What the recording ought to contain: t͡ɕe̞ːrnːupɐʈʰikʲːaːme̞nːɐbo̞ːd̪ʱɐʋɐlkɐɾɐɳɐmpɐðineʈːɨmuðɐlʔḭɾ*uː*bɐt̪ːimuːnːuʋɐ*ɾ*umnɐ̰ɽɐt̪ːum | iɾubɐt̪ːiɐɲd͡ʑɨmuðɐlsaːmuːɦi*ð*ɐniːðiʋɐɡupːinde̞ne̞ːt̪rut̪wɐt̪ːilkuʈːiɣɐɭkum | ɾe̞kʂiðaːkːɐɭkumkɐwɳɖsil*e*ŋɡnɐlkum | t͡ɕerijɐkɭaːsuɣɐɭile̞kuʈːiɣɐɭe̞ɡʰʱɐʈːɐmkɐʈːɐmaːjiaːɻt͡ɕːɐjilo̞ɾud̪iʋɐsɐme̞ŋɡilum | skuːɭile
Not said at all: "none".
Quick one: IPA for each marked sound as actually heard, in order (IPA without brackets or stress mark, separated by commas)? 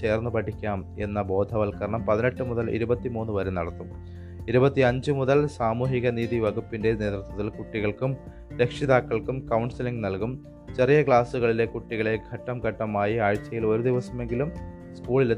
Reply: u, ɾ, ɣ, i